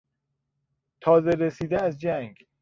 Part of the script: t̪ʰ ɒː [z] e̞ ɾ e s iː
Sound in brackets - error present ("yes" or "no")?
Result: no